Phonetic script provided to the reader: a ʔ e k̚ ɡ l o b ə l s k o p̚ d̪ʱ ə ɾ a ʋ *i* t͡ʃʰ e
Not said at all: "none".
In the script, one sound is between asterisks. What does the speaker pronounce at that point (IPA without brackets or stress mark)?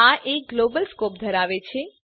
e